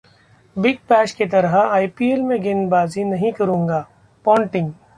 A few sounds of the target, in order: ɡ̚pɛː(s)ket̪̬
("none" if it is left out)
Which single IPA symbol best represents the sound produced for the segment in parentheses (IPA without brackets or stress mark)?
ʃ